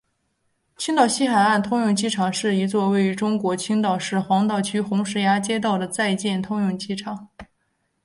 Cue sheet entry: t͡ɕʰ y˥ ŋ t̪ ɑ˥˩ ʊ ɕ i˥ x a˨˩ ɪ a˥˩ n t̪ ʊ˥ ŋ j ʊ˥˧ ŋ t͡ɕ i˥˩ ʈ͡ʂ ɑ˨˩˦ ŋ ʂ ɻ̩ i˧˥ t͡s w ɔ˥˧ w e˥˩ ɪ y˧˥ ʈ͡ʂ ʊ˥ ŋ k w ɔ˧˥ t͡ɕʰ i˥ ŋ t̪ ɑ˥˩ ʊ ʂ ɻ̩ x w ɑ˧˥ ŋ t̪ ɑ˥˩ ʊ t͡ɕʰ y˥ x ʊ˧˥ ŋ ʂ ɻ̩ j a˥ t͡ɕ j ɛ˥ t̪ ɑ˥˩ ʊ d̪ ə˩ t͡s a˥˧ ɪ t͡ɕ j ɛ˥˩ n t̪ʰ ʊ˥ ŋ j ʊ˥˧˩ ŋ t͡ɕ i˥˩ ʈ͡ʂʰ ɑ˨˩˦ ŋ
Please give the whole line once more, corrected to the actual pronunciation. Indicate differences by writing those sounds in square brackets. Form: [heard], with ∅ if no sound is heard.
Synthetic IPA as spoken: t͡ɕʰ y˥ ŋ t̪ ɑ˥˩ ʊ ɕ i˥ x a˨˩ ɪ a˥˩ n [t̪ʰ] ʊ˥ ŋ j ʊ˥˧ ŋ t͡ɕ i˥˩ [ʈ͡ʂʰ] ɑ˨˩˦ ŋ ʂ ɻ̩ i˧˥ t͡s w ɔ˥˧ w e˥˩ ɪ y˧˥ ʈ͡ʂ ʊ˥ ŋ k w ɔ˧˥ t͡ɕʰ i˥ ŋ t̪ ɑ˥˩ ʊ ʂ ɻ̩ x w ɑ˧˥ ŋ t̪ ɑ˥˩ ʊ t͡ɕʰ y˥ x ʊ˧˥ ŋ ʂ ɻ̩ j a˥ t͡ɕ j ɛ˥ t̪ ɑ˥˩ ʊ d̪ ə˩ t͡s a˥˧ ɪ t͡ɕ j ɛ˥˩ n t̪ʰ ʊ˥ ŋ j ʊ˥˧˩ ŋ t͡ɕ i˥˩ ʈ͡ʂʰ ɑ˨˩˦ ŋ